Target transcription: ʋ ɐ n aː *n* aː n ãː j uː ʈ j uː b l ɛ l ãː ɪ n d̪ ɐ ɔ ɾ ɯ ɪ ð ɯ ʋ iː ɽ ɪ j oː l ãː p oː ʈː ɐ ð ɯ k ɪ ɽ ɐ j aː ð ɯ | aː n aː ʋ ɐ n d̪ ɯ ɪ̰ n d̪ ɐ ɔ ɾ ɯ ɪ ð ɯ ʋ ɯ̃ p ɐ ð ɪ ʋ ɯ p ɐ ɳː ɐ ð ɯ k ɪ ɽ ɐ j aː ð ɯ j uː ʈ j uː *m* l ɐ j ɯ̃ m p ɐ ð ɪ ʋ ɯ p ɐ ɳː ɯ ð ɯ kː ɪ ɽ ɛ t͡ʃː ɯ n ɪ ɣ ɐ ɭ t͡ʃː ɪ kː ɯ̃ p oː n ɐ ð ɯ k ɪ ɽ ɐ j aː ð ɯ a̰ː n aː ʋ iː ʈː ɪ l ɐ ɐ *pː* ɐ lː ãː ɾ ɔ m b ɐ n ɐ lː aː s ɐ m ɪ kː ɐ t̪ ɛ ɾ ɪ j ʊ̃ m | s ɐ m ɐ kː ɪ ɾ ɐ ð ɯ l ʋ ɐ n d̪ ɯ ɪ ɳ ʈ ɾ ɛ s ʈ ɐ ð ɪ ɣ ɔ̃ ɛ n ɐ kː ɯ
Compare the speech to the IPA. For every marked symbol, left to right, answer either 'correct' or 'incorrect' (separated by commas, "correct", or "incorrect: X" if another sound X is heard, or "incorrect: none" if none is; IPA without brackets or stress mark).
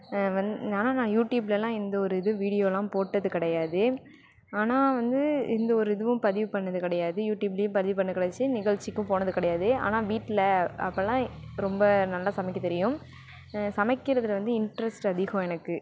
correct, incorrect: b, correct